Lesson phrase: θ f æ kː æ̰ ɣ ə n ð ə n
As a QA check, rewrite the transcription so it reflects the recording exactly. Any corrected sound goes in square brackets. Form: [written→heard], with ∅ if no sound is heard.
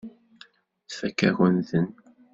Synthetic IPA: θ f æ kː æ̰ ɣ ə n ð ə n